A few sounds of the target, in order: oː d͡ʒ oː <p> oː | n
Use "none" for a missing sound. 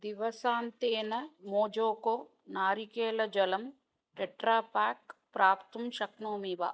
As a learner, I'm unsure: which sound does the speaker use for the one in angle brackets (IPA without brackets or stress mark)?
k